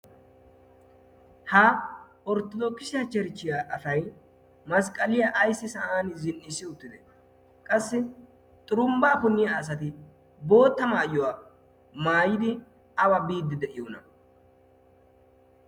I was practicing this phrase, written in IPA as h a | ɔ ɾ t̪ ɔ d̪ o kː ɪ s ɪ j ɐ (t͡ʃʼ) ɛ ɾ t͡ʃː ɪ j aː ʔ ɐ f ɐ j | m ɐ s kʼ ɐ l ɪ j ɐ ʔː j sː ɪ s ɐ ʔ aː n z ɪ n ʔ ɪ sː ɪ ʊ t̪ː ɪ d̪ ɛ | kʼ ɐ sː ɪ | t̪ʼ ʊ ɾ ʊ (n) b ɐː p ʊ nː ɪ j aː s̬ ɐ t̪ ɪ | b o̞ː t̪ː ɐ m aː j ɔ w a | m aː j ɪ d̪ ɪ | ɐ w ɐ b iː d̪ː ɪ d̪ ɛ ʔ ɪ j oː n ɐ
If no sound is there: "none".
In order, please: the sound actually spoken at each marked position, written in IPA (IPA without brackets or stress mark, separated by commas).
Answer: t͡ʃ, m